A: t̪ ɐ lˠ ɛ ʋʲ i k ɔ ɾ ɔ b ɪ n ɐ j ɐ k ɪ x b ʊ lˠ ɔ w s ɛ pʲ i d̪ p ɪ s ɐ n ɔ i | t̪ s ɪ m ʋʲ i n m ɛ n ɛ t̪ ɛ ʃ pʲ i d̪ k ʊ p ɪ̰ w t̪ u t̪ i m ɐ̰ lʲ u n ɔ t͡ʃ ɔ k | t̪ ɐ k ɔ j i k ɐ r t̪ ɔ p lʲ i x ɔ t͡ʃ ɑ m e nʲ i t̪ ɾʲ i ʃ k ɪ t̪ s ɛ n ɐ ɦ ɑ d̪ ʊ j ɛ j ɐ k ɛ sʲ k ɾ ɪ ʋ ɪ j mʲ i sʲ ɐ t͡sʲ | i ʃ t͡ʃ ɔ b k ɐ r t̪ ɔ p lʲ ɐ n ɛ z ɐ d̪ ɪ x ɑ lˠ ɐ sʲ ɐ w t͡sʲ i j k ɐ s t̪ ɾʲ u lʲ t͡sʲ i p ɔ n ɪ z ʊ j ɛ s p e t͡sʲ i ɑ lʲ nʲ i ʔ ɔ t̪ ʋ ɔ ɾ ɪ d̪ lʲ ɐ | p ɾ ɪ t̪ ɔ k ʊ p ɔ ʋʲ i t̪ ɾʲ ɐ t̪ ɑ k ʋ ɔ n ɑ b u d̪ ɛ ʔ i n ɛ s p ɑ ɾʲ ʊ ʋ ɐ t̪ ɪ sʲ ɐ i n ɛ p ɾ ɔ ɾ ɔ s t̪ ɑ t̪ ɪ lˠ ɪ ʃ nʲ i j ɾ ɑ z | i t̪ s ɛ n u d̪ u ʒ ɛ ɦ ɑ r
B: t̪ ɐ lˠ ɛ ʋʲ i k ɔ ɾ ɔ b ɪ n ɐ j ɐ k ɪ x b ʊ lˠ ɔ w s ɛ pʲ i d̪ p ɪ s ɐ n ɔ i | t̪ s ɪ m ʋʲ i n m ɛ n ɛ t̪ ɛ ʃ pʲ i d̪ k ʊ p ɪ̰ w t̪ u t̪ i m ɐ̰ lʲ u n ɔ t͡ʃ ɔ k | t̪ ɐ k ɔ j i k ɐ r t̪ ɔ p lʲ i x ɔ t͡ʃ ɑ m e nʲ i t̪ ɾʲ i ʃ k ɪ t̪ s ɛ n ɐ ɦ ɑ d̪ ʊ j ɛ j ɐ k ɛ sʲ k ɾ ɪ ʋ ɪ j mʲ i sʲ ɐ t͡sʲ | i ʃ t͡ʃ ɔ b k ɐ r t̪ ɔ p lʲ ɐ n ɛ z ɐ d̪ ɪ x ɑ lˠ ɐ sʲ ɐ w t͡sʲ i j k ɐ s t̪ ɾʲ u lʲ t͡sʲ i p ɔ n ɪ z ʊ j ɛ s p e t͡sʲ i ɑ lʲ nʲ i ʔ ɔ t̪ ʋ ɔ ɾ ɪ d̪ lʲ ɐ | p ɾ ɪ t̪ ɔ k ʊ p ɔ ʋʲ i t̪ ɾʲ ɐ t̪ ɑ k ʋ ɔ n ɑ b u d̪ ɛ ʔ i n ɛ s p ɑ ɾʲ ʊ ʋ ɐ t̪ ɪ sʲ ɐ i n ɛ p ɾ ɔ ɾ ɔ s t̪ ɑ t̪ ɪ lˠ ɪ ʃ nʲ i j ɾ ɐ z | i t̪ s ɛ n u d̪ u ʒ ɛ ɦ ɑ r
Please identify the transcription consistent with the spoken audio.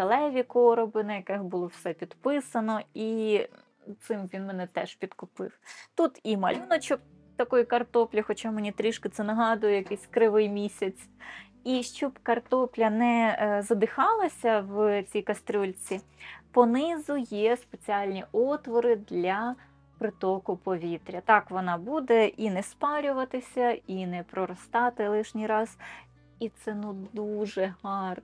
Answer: A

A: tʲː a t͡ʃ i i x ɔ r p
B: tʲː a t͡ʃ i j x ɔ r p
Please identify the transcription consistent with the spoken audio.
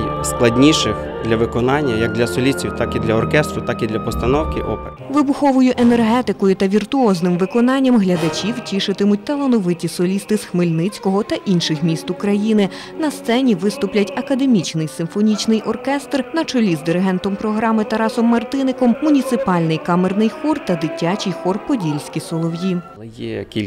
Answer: B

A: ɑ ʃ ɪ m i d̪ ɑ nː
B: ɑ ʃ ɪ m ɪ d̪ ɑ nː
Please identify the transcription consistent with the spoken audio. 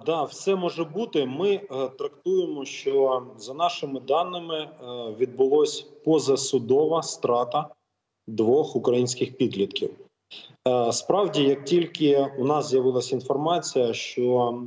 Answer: B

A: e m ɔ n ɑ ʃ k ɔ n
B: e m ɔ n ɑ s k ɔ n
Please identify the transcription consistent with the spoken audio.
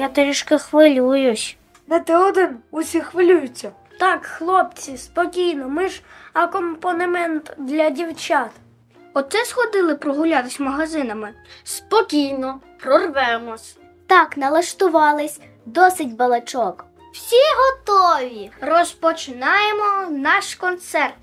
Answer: A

